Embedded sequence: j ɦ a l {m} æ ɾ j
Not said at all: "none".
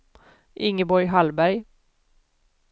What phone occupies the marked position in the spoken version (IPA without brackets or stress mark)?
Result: b